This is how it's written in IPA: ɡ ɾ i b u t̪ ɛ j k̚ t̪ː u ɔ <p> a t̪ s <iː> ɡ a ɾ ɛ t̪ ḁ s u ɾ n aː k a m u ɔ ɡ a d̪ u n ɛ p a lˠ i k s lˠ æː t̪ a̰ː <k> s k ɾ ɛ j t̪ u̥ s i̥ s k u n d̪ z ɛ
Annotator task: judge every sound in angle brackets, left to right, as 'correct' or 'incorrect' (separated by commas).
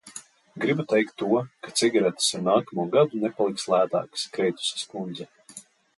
incorrect, incorrect, correct